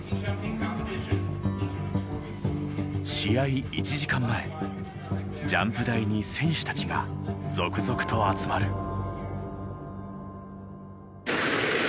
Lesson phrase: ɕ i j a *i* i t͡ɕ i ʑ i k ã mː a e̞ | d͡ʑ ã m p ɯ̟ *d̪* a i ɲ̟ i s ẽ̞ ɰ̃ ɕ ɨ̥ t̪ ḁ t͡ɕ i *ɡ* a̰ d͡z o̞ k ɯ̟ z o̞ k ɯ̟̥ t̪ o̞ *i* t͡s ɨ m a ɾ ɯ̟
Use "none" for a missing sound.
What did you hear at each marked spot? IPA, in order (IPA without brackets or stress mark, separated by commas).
i, d̪, ɡ, a